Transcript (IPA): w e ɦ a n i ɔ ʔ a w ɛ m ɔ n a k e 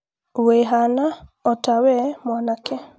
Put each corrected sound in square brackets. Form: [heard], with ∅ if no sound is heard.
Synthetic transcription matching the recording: w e ɦ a n [a] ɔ [t] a w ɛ m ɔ n a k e